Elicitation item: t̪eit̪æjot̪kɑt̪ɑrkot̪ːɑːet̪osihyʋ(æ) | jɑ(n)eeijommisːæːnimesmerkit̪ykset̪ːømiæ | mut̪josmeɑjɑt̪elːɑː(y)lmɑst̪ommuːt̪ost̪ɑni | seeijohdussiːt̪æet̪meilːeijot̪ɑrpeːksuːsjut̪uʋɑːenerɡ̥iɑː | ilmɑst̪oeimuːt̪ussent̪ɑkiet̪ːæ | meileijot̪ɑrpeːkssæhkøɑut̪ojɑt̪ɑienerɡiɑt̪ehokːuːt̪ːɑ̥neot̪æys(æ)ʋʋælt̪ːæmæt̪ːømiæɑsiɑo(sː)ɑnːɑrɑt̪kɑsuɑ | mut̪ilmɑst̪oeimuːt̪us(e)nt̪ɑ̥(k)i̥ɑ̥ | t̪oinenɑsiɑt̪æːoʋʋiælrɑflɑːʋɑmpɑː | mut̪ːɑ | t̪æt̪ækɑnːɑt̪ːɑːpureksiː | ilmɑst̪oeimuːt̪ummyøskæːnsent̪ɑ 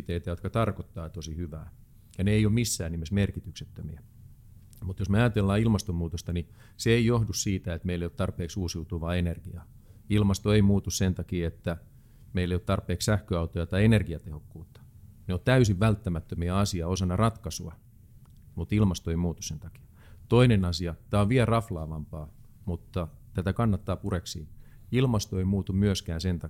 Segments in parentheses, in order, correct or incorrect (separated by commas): incorrect, correct, incorrect, incorrect, incorrect, correct, correct